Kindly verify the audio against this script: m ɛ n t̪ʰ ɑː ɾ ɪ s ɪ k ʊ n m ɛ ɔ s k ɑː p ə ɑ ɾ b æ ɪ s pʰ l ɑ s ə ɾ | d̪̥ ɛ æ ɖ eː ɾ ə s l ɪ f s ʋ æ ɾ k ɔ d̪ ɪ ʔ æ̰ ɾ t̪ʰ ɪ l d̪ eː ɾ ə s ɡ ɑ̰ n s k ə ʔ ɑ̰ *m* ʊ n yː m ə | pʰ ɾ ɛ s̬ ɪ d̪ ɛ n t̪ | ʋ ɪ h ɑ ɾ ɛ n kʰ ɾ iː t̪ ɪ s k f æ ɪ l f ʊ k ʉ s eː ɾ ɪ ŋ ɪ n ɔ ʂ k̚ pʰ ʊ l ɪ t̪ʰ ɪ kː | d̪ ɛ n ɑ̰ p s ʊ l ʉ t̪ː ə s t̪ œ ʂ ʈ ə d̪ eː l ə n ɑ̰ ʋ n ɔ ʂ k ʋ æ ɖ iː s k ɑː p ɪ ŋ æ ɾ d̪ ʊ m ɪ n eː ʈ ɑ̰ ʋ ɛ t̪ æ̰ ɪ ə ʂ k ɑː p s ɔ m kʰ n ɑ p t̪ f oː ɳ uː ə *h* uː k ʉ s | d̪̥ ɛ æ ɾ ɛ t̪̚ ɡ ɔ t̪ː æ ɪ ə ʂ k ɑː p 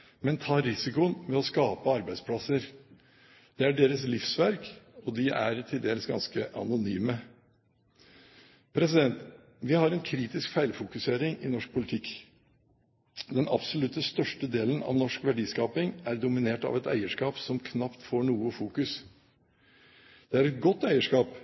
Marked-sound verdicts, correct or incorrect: incorrect, incorrect

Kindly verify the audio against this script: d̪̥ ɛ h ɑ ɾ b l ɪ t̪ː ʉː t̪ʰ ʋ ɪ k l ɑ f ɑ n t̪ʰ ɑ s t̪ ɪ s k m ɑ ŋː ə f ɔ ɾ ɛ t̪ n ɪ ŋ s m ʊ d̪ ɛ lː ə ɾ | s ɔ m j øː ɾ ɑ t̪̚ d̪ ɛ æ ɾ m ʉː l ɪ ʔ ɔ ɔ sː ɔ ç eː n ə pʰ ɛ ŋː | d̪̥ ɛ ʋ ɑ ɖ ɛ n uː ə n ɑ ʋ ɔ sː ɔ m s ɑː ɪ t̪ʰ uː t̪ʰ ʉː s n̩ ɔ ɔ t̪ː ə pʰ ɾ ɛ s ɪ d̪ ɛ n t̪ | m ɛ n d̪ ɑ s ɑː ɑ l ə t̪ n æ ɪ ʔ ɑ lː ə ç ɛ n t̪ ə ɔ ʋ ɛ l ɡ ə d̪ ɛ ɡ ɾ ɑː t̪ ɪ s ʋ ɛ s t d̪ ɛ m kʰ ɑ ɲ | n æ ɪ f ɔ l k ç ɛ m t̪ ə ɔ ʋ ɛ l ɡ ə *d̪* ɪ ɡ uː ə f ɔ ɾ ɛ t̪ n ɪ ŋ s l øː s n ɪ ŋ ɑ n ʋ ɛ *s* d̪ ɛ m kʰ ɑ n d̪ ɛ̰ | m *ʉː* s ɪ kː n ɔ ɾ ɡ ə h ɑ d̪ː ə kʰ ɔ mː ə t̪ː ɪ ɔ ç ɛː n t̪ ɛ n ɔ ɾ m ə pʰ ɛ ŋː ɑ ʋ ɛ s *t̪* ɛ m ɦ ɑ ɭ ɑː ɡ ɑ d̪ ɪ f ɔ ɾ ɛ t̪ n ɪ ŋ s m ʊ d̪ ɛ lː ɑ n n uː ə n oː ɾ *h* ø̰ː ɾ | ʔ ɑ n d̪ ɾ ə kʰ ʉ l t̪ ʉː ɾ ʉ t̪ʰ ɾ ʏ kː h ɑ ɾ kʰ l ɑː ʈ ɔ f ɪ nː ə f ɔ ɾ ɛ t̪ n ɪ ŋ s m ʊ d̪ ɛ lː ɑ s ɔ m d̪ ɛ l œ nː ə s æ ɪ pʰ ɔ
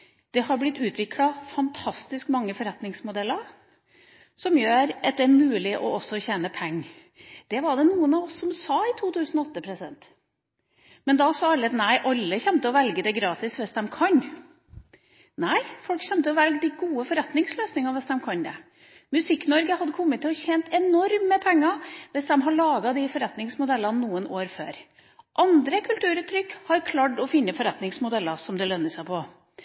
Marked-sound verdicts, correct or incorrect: correct, correct, incorrect, incorrect, incorrect

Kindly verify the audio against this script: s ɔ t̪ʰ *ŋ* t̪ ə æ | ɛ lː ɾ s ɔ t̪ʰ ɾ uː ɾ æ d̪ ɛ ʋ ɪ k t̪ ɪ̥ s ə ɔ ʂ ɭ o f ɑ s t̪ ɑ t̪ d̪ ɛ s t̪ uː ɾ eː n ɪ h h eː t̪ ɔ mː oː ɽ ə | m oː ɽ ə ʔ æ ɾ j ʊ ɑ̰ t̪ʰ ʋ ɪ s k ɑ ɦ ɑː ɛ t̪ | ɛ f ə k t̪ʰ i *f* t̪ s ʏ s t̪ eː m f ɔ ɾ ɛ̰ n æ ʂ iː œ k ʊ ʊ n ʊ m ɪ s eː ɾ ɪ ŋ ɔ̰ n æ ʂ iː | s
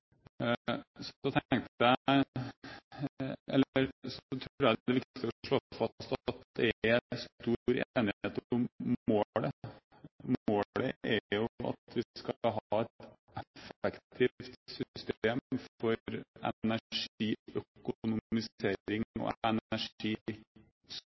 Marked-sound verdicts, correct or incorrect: correct, correct

